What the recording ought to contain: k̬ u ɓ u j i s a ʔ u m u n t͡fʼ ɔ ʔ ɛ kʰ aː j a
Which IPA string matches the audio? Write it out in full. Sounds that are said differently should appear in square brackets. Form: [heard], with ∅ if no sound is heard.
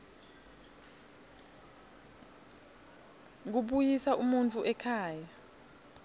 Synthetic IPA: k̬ u ɓ u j i s a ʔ u m u n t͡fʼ [u] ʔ ɛ kʰ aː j a